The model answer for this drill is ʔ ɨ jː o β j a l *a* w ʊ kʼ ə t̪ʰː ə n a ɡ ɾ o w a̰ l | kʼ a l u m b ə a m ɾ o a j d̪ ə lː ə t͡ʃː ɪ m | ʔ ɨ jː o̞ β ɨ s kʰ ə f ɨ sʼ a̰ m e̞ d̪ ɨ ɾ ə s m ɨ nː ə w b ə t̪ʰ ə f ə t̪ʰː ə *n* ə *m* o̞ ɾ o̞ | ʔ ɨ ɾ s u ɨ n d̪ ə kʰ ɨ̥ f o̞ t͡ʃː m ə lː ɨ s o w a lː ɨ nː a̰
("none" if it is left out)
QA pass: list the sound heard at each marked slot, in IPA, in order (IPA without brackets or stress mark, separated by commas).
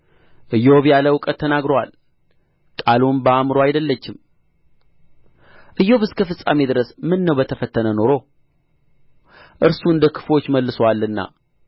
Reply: ə, n, n